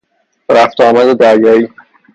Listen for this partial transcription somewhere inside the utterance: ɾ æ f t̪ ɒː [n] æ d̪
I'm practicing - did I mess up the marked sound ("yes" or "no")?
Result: yes